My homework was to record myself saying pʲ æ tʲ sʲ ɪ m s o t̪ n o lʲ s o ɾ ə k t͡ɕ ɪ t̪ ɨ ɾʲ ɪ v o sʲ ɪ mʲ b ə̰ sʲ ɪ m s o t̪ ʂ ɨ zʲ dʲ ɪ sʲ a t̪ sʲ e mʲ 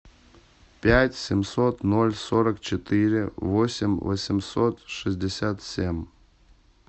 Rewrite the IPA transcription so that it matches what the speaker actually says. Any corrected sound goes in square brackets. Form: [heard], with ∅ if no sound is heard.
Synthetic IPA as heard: pʲ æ tʲ sʲ ɪ m s o t̪ n o lʲ s o ɾ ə k t͡ɕ ɪ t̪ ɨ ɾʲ ɪ v o sʲ ɪ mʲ [v] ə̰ sʲ ɪ m s o t̪ ʂ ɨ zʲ dʲ ɪ sʲ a t̪ sʲ e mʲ